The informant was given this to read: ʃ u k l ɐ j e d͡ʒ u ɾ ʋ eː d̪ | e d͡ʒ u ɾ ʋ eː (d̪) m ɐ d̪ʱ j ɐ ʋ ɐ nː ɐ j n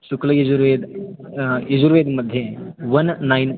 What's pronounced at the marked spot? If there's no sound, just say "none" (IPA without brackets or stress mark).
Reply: d̪